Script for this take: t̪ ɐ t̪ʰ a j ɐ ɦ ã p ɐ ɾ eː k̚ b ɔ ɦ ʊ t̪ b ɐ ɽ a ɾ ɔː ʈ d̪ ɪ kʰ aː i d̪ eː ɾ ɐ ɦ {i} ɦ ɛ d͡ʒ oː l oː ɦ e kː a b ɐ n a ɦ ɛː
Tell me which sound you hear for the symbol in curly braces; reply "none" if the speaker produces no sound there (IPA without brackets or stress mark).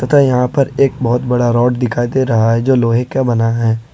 a